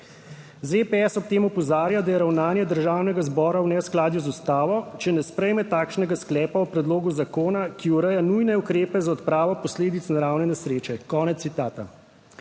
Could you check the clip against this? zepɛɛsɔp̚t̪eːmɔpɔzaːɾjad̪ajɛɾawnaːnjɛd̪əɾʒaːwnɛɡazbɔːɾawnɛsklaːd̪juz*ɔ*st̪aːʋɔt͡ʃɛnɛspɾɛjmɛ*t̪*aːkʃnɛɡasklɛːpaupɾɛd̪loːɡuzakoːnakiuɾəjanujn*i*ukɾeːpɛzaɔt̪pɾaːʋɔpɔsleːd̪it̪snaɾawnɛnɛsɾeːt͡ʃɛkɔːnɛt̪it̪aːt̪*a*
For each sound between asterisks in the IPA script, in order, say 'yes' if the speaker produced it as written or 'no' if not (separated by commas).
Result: no, yes, no, yes